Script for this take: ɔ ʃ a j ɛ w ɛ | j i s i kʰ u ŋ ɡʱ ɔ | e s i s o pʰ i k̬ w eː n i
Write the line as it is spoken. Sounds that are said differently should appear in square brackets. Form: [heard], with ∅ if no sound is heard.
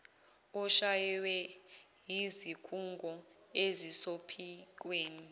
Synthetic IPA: ɔ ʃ a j ɛ w ɛ | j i [z] i kʰ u ŋ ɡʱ ɔ | e [z] i s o pʰ i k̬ w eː n i